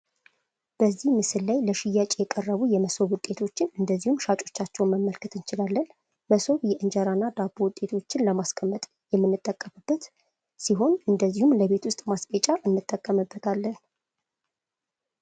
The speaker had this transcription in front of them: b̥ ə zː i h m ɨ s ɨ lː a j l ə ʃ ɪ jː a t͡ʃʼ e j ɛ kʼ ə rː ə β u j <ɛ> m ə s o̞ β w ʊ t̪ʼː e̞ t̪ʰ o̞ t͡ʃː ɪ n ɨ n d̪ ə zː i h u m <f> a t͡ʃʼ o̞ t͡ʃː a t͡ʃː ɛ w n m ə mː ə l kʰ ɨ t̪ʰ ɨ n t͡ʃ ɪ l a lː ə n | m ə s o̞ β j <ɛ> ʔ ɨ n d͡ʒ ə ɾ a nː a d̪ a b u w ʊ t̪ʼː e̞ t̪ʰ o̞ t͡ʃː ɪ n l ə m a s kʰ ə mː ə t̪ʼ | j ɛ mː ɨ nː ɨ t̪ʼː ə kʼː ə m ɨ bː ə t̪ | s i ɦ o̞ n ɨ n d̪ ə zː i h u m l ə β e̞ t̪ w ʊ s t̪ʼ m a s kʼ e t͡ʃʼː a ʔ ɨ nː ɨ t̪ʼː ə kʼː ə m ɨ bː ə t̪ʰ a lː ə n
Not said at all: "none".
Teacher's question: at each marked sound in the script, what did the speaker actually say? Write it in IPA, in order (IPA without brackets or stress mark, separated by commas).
ɛ, ʃ, ɛ